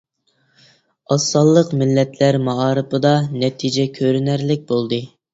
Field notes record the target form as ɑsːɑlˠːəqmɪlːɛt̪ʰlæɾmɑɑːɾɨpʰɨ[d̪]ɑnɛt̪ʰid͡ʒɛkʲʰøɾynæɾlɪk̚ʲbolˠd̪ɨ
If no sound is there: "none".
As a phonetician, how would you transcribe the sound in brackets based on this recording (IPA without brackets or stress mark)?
d̪